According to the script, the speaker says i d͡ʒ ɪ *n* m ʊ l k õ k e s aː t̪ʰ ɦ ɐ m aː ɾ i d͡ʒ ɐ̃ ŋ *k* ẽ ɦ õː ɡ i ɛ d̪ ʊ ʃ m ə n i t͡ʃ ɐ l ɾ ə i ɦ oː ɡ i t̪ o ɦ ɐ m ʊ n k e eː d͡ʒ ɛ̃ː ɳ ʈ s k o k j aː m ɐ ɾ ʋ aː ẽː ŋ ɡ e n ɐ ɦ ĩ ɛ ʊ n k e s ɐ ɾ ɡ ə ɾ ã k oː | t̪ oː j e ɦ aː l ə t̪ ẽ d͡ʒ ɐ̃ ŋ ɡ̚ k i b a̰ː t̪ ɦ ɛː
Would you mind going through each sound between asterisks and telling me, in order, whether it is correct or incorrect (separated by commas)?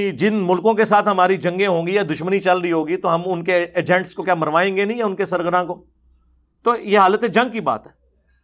correct, incorrect